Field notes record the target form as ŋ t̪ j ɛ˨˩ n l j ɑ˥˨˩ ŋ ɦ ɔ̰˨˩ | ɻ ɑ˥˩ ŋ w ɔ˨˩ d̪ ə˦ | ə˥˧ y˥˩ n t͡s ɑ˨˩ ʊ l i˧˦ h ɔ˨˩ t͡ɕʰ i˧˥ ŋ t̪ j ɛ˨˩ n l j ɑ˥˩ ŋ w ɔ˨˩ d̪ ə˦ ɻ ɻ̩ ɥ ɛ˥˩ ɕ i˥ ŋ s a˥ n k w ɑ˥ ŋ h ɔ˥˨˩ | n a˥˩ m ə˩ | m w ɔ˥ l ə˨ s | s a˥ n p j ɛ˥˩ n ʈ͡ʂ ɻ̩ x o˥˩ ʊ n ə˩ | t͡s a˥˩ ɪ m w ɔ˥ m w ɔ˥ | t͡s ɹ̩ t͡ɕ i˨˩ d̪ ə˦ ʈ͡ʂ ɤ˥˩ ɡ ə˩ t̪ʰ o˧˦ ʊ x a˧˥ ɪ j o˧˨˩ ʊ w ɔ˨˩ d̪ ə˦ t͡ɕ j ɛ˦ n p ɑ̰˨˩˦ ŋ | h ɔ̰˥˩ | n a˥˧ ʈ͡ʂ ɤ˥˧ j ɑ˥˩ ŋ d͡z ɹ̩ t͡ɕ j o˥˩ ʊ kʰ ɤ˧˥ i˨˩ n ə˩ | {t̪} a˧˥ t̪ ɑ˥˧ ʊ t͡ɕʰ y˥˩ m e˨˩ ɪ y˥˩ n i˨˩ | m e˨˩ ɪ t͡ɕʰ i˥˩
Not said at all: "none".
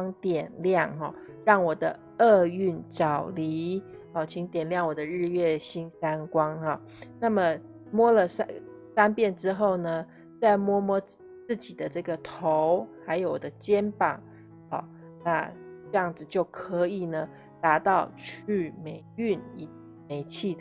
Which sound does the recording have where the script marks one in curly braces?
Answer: t̪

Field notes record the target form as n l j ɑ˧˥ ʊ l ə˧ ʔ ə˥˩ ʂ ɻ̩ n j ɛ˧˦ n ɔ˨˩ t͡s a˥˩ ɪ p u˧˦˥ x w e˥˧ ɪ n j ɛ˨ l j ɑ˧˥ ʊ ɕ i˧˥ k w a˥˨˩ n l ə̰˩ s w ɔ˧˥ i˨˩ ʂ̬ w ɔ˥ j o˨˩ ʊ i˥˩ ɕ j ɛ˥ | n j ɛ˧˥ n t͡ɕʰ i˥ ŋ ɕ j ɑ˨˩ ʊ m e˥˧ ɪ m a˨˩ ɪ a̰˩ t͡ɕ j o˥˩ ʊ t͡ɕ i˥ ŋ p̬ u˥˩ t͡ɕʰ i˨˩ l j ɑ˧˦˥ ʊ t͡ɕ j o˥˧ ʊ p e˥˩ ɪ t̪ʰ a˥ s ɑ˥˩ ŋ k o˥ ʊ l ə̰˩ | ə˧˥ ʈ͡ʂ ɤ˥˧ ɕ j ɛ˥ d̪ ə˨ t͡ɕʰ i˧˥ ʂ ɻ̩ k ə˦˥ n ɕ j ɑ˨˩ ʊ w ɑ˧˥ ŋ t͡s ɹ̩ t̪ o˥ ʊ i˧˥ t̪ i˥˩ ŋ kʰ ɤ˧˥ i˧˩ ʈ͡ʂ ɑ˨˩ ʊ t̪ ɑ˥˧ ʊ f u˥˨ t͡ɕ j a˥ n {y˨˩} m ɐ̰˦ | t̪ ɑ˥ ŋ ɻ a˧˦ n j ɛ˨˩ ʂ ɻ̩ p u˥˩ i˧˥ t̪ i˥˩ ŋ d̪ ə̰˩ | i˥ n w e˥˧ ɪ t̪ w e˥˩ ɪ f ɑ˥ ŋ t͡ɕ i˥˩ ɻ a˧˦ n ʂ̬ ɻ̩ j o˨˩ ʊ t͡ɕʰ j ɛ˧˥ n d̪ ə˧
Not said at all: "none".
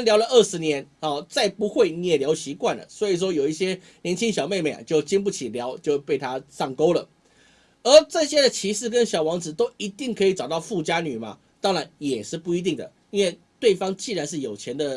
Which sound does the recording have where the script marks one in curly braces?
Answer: y˨˩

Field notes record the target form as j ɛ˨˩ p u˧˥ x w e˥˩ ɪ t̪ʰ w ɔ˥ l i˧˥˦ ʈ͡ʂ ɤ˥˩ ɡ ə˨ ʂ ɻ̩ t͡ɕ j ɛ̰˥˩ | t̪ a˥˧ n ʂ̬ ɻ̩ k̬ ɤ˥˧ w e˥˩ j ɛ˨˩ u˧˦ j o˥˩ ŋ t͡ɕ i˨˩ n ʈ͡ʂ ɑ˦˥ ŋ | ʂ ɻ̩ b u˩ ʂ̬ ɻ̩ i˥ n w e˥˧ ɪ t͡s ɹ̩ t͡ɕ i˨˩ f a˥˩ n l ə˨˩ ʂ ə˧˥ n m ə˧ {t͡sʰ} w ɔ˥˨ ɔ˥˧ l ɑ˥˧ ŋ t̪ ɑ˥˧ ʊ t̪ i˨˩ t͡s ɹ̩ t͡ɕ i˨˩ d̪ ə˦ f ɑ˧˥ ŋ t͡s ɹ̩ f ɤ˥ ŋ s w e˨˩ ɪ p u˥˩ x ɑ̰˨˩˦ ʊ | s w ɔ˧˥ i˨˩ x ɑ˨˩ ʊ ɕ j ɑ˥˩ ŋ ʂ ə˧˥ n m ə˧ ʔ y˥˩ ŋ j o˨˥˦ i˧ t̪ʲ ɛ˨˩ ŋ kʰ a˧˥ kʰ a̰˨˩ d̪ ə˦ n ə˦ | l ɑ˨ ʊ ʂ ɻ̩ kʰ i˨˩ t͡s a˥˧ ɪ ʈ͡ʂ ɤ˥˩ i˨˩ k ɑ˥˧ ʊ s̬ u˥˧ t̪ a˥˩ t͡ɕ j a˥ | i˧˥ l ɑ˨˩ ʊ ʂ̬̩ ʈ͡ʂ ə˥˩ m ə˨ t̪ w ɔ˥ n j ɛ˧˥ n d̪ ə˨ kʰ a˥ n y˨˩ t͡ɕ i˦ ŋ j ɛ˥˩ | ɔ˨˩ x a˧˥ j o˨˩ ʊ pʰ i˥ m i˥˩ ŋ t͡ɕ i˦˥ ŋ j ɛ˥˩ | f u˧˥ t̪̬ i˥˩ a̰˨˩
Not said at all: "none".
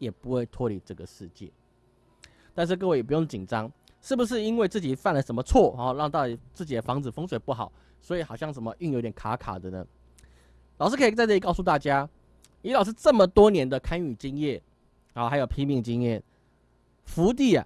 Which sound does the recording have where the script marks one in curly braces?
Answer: t͡sʰ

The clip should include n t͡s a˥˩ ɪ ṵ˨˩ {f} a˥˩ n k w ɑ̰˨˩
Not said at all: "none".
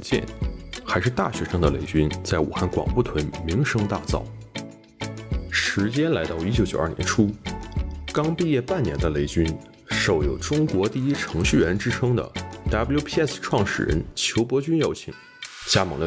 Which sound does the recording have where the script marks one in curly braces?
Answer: x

